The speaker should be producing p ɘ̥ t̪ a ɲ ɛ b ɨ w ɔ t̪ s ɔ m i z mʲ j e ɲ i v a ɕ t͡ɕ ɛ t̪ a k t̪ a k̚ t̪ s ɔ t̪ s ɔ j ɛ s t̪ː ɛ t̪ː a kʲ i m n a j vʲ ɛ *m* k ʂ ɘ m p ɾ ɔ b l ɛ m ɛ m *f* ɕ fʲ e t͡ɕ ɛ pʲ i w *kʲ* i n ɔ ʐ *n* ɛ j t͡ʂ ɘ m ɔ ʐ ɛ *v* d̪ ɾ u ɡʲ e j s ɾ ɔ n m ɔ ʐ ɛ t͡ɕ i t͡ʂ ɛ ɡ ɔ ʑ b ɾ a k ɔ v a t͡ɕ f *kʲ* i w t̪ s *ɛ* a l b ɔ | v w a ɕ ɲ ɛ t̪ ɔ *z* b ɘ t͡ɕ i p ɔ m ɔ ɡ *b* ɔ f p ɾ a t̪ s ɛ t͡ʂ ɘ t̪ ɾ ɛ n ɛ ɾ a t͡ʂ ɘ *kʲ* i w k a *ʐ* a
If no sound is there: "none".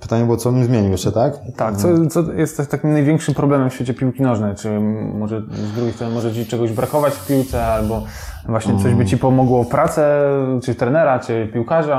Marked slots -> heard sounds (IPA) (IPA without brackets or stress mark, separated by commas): ŋ, f, kʲ, n, z, pʲ, ɛ, ʑ, w, pʲ, ʐ